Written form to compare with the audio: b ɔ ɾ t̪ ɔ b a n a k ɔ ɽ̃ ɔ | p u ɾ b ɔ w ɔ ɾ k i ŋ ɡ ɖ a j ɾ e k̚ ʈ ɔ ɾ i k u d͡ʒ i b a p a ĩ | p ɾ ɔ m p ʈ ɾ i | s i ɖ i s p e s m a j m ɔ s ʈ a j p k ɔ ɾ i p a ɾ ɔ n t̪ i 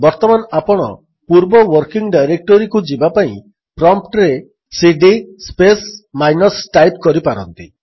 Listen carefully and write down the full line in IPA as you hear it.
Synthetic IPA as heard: b ɔ ɾ t̪ ɔ m a n a p ɔ ɽ̃ ɔ | p u ɾ b ɔ w ɔ ɾ k i ŋ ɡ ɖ a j ɾ e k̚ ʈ ɔ ɾ i k u d͡ʒ i b a p a ĩ | p ɾ ɔ m p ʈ ɾ e | s i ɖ i s p e s m a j n ɔ s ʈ a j p k ɔ ɾ i p a ɾ ɔ n t̪ i

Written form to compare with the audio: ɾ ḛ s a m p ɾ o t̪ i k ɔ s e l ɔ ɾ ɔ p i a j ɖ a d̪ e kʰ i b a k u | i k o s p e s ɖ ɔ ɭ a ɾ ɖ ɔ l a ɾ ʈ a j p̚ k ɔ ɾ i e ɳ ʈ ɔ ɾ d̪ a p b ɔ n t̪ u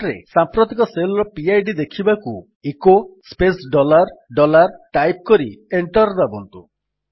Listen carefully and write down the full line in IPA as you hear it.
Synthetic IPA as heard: ɾ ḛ s a m p ɾ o t̪ i k ɔ s e l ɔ ɾ ɔ p i a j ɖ i d̪ e kʰ i b a k u | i k o s p e s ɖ ɔ l a ɾ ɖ ɔ l a ɾ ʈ a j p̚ k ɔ ɾ i e ɳ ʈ ɔ ɾ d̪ a b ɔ n t̪ u

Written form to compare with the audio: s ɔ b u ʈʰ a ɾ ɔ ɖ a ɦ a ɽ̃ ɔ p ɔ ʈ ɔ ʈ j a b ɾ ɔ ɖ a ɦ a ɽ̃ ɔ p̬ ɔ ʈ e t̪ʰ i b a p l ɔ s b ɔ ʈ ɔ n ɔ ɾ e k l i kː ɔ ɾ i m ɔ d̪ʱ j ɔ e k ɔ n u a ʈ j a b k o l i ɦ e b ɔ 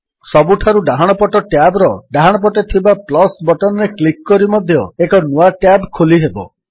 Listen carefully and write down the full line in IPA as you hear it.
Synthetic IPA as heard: s ɔ b u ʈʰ a ɾ u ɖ a ɦ a ɽ̃ ɔ p ɔ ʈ ɔ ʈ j a b ɾ ɔ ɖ a ɦ a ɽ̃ ɔ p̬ ɔ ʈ e t̪ʰ i b a p l ɔ s b ɔ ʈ ɔ n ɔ ɾ e k l i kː ɔ ɾ i m ɔ d̪ʱ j ɔ e k ɔ n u a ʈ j a b kʰ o l i ɦ e b ɔ

